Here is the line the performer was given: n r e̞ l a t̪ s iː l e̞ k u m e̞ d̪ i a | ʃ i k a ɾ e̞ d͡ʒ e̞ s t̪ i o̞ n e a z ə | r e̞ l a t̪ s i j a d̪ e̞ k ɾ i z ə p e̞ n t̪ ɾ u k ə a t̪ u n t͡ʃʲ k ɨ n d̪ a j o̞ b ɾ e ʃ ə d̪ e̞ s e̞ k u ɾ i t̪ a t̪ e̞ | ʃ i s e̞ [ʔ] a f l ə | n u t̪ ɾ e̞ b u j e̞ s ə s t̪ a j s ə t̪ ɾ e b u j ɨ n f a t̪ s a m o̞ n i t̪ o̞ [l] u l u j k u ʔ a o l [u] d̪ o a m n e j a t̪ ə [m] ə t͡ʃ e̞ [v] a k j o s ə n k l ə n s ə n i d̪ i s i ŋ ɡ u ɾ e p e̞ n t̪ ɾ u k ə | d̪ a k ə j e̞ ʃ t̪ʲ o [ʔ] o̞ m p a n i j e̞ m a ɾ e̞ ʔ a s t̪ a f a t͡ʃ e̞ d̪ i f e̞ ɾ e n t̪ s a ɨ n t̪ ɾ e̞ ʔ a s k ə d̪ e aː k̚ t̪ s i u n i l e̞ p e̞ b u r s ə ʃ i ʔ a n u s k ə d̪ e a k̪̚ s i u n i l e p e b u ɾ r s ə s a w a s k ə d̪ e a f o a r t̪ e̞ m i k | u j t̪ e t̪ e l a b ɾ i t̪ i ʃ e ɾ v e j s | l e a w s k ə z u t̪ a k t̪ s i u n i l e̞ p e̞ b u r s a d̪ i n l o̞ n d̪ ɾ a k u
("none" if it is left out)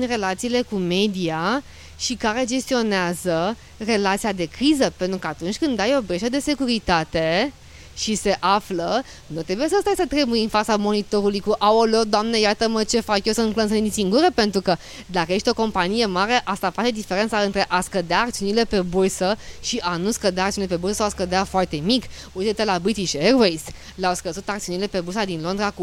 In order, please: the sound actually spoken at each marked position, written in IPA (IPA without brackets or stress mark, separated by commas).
ʔ, ɾ, o, m, f, k